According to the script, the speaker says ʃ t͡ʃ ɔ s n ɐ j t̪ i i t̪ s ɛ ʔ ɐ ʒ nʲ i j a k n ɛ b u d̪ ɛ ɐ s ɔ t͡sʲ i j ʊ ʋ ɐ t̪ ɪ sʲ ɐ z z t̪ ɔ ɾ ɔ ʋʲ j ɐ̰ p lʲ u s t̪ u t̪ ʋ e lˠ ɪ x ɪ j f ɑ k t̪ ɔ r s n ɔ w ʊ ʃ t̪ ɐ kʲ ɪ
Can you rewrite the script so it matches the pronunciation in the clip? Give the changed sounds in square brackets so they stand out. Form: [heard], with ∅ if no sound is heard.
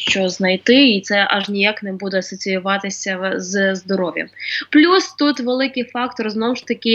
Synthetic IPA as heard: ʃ t͡ʃ ɔ [z] n ɐ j t̪ [ɪ] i t̪ s ɛ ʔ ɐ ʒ nʲ i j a k n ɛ b u d̪ ɛ ɐ s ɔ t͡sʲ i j ʊ ʋ [ɑ] t̪ ɪ sʲ ɐ z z [d̪] ɔ ɾ ɔ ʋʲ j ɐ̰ p lʲ u s t̪ u t̪ ʋ e lˠ ɪ [k] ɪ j f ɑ k t̪ ɔ r [z] n ɔ w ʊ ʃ t̪ ɐ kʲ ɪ